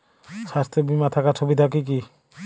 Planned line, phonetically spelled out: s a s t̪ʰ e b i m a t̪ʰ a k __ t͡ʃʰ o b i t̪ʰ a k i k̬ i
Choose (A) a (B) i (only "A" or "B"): A